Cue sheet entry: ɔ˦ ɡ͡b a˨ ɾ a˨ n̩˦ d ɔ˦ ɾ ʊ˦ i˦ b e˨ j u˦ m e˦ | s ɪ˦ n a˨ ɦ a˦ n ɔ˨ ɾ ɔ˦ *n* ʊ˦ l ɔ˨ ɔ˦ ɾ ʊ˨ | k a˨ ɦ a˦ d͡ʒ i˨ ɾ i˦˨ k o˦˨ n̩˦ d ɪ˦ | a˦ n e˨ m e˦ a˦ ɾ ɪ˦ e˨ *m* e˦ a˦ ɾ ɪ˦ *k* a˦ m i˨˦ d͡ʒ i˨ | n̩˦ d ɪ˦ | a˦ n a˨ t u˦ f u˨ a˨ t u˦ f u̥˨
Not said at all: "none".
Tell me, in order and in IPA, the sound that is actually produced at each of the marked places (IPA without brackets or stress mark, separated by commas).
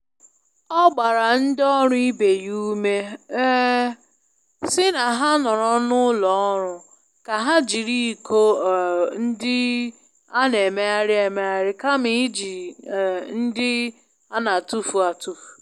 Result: n, m, k